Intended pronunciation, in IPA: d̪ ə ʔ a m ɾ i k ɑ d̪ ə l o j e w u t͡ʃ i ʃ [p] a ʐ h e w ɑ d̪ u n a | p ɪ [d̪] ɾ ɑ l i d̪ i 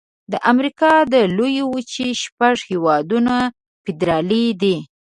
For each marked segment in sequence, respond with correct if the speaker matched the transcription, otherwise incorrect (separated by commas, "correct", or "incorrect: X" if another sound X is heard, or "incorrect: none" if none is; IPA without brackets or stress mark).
correct, correct